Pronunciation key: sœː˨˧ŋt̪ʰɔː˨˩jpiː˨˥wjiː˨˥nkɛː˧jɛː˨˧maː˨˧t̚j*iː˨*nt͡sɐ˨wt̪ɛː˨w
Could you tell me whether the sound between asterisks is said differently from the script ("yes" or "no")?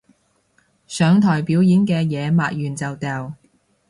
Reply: yes